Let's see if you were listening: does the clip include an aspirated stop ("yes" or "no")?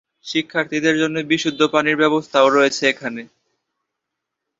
yes